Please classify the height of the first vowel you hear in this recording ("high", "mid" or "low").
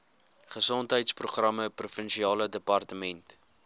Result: mid